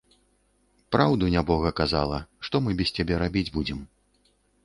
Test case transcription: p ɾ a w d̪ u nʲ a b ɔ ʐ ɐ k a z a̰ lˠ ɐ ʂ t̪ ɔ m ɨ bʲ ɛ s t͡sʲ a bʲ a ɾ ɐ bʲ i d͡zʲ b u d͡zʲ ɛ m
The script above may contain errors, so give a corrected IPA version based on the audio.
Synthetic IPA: p ɾ a w d̪ u nʲ a b ɔ ɣ ɐ k a z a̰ lˠ ɐ ʂ t̪ ɔ m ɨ bʲ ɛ s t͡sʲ a bʲ ɛ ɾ a bʲ i d͡zʲ b u d͡zʲ ɛ m